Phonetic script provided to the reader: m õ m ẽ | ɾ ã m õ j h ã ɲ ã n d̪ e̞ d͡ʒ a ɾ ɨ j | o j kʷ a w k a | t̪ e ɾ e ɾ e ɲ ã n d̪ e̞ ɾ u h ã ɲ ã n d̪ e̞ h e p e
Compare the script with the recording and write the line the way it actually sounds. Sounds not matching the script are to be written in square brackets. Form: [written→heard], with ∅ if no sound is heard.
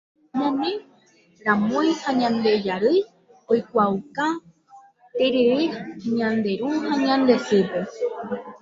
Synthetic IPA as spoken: m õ m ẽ | ɾ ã m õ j h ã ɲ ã n d̪ e̞ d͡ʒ a ɾ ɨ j | o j kʷ a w k a | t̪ e ɾ e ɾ e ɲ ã n d̪ e̞ ɾ u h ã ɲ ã n d̪ e̞ [h→s] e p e